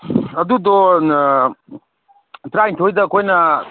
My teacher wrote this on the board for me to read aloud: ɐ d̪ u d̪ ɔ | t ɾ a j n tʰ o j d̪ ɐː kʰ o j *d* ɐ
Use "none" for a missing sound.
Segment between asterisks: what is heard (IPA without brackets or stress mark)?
n